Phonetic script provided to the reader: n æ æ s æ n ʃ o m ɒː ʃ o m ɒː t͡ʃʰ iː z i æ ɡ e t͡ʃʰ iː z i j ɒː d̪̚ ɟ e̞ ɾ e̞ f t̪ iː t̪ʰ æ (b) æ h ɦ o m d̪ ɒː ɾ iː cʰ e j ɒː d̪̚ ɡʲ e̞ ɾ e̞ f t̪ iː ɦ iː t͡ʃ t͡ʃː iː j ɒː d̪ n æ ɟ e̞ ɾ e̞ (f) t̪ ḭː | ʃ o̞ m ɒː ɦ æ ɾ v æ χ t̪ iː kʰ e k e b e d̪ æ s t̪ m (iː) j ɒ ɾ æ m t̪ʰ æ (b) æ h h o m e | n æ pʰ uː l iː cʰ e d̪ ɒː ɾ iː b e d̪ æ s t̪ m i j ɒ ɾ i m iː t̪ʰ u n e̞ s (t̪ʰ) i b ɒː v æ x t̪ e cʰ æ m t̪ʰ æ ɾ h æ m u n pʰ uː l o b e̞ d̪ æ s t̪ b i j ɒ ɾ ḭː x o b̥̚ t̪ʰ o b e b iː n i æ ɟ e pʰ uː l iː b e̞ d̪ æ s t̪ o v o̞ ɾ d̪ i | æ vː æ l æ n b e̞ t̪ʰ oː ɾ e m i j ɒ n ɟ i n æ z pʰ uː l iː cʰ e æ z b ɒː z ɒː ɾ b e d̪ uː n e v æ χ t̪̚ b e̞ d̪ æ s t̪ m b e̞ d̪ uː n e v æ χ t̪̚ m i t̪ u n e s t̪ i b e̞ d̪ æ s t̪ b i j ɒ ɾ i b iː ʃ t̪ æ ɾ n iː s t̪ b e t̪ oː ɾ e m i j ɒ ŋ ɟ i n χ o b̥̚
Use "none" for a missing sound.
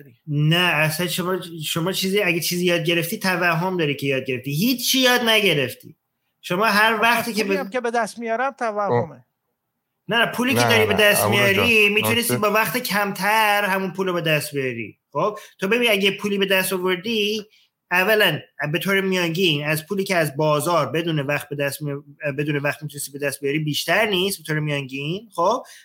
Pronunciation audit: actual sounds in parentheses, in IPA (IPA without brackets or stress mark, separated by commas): v, f, i, v, t̪